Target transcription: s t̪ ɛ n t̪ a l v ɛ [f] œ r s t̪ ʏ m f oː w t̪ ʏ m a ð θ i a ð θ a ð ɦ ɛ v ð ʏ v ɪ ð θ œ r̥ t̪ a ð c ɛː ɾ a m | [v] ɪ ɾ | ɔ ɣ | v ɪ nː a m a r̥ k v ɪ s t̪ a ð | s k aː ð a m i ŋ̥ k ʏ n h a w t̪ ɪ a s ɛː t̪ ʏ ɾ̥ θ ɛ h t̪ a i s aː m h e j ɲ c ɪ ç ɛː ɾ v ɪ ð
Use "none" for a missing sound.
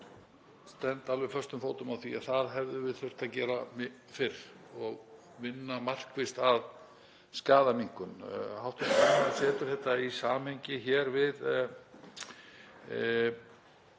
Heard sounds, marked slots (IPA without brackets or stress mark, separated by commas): f, f